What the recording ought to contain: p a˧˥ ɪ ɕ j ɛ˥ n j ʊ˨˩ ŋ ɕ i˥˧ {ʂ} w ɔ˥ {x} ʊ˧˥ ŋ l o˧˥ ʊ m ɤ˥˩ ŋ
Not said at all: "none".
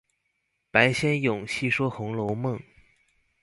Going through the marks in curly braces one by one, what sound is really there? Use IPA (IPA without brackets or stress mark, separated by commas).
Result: ʂ, x